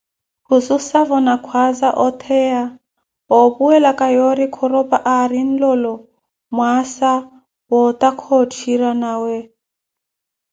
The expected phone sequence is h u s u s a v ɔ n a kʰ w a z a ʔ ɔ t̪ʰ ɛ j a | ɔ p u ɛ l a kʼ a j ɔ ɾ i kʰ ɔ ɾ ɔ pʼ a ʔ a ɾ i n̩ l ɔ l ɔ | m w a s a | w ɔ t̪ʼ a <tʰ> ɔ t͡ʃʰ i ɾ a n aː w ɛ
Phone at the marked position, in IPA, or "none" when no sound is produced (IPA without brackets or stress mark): kʰ